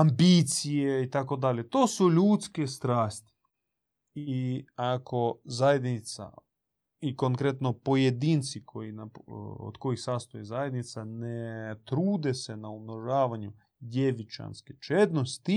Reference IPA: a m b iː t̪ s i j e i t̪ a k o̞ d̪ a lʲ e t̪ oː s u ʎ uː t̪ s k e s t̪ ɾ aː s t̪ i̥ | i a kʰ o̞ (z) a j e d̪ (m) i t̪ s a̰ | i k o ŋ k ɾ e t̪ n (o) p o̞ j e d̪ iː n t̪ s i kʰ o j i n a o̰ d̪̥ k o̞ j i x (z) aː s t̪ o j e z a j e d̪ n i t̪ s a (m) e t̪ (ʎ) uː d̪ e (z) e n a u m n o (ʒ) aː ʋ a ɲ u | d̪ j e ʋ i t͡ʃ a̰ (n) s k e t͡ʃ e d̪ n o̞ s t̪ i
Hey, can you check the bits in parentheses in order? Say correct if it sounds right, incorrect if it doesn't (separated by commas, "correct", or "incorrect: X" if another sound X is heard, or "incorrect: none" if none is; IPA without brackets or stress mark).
correct, incorrect: n, correct, incorrect: s, incorrect: n, incorrect: ɾ, incorrect: s, correct, correct